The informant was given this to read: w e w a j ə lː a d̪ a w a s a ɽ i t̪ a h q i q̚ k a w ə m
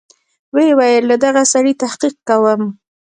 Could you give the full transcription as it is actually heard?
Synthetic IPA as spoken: w e w a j ə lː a d̪ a ɣ a s a ɽ i t̪ a h q i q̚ k a w ə m